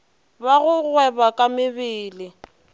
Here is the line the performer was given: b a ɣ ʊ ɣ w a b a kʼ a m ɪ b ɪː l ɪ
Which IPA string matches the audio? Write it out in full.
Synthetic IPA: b a ɣ ʊ ɣ w ɛ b a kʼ a m ɪ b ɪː l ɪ